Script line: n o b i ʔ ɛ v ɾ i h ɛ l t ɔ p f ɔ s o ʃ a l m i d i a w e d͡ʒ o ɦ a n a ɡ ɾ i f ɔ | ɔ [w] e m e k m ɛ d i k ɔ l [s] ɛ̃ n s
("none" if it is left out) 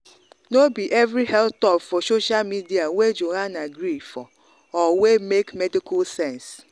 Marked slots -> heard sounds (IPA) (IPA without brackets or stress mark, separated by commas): w, s